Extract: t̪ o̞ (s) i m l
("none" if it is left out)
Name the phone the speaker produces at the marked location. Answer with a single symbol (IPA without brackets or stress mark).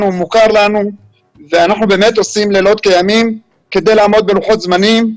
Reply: s